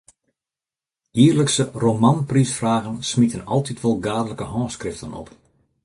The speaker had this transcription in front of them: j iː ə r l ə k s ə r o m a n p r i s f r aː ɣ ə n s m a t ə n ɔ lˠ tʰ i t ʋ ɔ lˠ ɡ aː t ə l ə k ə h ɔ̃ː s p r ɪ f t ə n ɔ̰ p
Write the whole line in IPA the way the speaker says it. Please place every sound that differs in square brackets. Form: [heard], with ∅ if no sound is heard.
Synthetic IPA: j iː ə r l ə k s ə r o m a n p r i s f r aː ɣ ə n s m [i] t ə n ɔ lˠ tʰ i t ʋ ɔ lˠ ɡ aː [d] ə l ə k ə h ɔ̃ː s [k] r ɪ f t ə n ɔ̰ p